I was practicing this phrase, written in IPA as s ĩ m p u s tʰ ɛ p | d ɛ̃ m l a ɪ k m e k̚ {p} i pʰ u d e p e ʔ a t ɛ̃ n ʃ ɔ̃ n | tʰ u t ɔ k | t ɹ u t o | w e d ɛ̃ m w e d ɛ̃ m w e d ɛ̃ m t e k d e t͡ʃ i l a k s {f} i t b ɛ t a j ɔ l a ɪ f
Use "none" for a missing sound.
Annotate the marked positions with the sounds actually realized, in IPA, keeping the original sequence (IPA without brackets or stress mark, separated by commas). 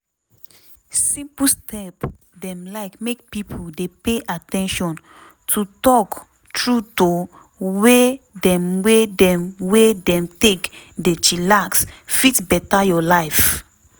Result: p, f